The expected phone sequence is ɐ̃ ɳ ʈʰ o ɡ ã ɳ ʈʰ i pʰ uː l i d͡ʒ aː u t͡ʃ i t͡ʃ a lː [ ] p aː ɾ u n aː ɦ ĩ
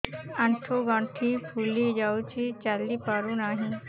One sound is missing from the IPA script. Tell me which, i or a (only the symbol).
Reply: i